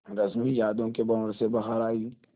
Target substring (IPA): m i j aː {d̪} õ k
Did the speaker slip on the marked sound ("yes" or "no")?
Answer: no